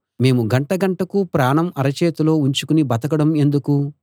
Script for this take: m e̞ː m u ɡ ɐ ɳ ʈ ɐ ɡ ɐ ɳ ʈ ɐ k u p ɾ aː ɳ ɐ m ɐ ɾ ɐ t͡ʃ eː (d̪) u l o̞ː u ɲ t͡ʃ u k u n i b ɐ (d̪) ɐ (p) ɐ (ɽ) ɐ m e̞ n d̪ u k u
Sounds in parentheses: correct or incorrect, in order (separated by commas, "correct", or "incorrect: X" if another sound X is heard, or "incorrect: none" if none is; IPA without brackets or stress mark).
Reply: incorrect: t̪, incorrect: t̪, incorrect: k, correct